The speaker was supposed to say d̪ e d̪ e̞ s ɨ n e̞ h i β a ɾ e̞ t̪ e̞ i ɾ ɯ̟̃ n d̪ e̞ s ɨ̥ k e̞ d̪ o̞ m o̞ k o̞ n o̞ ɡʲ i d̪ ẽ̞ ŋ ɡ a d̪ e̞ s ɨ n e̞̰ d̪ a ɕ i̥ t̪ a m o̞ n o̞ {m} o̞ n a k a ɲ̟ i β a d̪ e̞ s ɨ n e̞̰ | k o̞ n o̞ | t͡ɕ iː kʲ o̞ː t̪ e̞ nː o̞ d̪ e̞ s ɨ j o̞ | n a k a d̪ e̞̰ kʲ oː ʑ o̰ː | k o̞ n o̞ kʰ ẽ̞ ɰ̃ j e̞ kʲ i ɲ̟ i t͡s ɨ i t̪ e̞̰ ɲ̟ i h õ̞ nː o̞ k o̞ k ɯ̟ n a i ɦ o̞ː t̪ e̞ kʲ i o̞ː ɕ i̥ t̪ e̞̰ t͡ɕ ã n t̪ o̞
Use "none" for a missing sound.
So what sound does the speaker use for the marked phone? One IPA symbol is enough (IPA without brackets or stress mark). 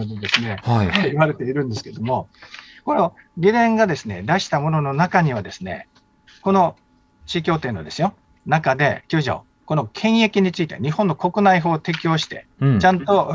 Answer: n